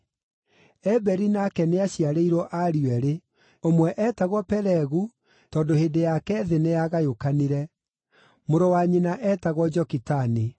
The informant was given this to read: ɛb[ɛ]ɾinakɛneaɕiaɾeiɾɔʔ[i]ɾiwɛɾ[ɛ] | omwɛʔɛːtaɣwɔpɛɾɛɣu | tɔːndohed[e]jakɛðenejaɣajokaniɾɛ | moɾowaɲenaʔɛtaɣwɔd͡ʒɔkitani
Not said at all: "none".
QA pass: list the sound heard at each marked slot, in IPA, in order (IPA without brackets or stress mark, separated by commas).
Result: ɛ, a, e, e